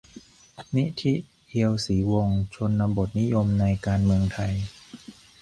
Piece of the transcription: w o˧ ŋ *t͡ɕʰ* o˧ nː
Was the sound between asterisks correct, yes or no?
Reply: yes